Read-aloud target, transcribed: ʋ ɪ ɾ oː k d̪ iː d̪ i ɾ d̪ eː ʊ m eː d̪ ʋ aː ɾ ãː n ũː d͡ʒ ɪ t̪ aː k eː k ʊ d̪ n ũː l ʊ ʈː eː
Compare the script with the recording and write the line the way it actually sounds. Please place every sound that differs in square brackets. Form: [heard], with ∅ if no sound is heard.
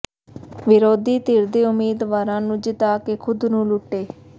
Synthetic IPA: ʋ ɪ ɾ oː [∅] d̪ iː [t̪] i ɾ d̪ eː ʊ m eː d̪ ʋ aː ɾ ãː n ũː d͡ʒ ɪ t̪ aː k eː [kʰ] ʊ d̪ n ũː l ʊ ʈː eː